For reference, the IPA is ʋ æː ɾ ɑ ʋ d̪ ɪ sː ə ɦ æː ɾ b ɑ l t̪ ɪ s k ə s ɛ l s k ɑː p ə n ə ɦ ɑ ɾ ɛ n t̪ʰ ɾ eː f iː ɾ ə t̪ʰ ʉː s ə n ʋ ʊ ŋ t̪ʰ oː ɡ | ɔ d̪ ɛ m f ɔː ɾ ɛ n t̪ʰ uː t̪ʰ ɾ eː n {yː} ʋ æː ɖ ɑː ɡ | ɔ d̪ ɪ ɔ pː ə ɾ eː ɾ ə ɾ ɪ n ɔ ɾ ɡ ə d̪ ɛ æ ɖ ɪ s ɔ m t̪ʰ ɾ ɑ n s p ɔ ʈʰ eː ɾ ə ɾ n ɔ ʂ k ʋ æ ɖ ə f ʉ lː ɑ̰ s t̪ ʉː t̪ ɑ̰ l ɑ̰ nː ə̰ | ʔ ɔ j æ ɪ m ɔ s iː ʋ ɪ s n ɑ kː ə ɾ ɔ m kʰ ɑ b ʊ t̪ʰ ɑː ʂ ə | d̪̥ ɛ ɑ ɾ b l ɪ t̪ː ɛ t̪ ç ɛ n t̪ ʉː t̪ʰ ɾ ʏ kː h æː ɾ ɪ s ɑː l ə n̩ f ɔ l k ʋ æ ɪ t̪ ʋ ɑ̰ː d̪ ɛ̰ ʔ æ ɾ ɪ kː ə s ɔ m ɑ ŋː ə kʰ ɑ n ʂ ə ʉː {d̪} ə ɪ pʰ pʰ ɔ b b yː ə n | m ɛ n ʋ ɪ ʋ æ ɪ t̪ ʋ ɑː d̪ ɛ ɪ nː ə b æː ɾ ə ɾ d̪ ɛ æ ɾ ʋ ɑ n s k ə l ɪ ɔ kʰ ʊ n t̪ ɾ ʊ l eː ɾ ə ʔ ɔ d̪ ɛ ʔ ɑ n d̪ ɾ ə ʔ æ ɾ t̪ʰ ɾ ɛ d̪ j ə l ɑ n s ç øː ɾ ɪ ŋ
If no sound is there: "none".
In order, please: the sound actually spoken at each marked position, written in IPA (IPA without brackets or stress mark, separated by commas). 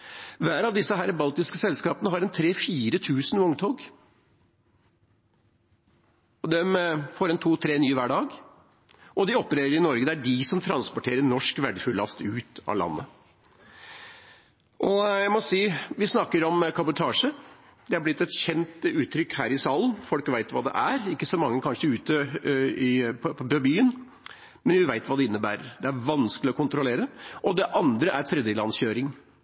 yː, t̪